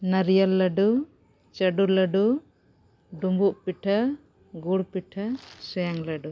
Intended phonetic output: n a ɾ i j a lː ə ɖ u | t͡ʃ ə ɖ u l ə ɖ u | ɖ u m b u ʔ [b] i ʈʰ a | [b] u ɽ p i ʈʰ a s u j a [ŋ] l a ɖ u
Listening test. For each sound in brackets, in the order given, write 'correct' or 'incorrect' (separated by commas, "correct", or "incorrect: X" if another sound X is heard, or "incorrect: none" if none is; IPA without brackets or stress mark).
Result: incorrect: p, incorrect: ɡ, correct